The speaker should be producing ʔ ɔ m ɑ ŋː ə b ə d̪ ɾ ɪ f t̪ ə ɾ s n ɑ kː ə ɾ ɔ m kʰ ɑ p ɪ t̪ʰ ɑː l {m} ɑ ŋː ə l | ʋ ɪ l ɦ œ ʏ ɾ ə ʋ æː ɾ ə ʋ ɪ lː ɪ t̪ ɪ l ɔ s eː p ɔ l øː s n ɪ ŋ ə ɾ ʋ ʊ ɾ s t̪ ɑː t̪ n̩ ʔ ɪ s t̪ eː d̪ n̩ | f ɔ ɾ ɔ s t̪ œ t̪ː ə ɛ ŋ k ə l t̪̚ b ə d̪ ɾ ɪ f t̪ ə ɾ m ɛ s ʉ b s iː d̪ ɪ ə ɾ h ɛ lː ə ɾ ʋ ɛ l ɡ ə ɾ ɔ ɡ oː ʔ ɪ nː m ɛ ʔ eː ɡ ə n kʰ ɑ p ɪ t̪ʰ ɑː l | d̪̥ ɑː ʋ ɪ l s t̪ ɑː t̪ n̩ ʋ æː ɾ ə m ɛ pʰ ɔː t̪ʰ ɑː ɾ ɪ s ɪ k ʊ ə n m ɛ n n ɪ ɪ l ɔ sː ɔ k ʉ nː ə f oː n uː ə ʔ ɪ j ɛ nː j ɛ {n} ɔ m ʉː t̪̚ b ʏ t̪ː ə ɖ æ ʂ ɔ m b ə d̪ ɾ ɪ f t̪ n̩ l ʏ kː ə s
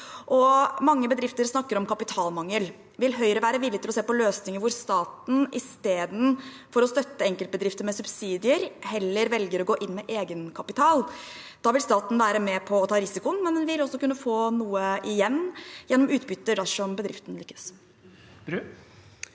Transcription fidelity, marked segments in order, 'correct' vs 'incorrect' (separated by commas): correct, incorrect